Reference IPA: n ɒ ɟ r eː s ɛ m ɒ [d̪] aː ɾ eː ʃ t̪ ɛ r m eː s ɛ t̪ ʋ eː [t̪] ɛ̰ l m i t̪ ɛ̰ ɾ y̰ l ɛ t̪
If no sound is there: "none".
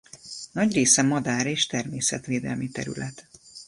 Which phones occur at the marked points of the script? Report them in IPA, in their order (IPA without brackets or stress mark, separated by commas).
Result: d̪, d̪